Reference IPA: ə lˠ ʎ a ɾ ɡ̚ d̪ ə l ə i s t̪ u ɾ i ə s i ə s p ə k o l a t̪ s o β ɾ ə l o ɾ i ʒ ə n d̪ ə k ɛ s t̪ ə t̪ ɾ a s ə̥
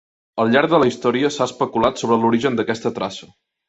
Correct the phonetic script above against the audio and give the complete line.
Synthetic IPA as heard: ə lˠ ʎ a ɾ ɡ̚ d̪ ə l ə i s t̪ ɔ ɾ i ə s a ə s p ə k u l a t̪ s o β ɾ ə l u ɾ i ʒ ə n d̪ ə k ɛ s t̪ ə t̪ ɾ a s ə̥